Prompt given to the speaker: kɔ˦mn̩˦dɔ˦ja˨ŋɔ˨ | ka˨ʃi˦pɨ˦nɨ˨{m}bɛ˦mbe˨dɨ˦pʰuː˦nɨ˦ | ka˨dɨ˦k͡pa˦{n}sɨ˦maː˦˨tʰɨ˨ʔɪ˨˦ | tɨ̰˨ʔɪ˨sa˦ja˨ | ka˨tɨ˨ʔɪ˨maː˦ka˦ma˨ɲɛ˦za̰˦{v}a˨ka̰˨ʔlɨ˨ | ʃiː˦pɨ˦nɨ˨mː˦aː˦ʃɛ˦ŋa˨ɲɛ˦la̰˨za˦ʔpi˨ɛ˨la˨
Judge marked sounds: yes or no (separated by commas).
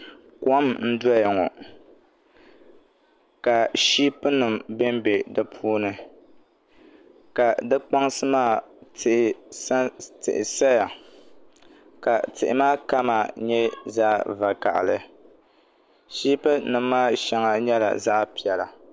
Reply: yes, no, yes